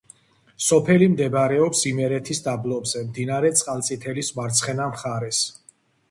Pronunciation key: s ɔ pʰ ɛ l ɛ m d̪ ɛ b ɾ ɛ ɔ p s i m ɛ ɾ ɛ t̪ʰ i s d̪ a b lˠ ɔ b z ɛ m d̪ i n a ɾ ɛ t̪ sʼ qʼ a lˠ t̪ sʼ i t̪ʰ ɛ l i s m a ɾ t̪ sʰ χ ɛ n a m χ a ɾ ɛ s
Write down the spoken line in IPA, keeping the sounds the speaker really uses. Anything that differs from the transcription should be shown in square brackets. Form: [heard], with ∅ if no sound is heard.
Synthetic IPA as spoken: s ɔ pʰ ɛ l [i] m d̪ ɛ b ɾ ɛ ɔ p s i m ɛ ɾ ɛ t̪ʰ i s d̪ a b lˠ ɔ b z ɛ m d̪ i n a ɾ ɛ t̪ sʼ qʼ a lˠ t̪ sʼ i t̪ʰ ɛ l i s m a ɾ t̪ sʰ χ ɛ n a m χ a ɾ ɛ s